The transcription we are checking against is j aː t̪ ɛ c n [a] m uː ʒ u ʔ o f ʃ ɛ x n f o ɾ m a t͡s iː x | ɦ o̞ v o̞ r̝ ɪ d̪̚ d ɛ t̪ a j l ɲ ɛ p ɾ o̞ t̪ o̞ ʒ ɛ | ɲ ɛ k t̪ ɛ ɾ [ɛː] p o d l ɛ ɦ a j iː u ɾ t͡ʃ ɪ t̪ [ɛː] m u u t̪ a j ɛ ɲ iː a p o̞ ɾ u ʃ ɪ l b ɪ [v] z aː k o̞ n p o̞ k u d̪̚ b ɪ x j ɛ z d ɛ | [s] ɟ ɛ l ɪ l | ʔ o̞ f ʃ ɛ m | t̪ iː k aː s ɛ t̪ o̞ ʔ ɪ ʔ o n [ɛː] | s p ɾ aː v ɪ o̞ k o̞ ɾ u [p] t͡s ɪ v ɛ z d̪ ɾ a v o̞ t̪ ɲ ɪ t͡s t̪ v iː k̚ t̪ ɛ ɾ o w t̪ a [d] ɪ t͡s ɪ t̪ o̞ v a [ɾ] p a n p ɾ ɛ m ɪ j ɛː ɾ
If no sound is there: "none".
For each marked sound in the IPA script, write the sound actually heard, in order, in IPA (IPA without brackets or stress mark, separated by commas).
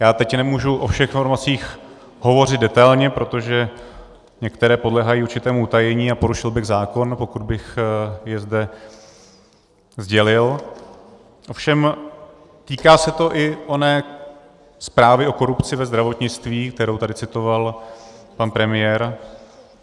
ɛ, ɛː, ɛː, ɣ, z, ɛː, p, d, l